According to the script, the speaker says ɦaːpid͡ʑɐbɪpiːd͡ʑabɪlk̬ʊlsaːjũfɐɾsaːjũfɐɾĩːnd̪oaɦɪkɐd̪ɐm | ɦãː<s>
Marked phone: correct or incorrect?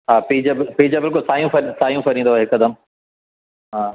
incorrect